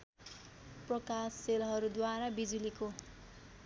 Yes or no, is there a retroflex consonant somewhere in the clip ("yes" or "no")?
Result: no